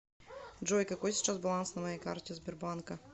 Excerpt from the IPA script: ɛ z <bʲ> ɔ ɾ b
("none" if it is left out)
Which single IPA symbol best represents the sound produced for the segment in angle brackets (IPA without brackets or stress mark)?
bʲ